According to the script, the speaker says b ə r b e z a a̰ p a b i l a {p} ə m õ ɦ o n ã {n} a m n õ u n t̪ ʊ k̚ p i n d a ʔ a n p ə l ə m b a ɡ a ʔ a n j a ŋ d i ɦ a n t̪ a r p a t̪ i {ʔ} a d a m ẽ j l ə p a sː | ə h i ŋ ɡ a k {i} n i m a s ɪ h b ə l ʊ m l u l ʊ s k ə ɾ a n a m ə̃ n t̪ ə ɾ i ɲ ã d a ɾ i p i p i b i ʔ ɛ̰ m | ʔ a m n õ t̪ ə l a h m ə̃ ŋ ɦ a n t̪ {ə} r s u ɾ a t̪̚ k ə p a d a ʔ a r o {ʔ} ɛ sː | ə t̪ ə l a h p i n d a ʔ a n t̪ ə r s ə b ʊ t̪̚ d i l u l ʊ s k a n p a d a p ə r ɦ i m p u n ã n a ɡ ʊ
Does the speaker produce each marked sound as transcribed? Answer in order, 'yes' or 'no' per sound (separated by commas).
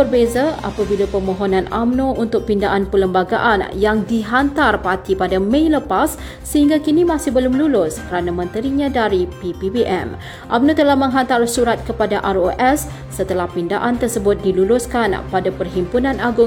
yes, yes, no, yes, no, yes